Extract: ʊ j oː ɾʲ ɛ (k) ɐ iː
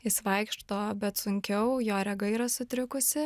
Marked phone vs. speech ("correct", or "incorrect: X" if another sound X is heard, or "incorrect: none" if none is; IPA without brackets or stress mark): incorrect: ɡ